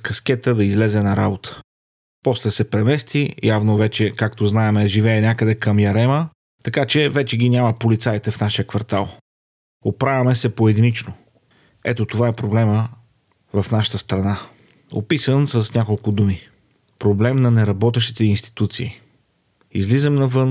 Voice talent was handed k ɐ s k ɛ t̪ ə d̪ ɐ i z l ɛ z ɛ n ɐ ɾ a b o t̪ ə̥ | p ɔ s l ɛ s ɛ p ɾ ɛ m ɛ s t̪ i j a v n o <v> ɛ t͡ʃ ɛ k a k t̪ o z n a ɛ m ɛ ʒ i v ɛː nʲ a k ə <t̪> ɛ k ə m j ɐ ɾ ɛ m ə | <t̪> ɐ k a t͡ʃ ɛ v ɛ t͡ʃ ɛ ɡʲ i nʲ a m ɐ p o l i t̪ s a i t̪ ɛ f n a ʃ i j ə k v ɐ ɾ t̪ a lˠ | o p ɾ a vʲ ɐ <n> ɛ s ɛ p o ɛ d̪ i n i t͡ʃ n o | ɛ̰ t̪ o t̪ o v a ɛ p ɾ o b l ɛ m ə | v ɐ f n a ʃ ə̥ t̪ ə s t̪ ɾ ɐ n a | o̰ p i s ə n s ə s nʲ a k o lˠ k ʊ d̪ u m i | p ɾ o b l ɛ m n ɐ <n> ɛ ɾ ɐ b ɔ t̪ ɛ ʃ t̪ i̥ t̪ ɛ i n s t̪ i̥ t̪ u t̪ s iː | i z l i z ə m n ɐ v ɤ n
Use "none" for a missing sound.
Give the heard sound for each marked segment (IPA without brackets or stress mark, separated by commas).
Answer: v, d̪, t̪, m, n